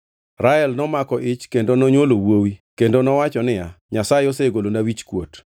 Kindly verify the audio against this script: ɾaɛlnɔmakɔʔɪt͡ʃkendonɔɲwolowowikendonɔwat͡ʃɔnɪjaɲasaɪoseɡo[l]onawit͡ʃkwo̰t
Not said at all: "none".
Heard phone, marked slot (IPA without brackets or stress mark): l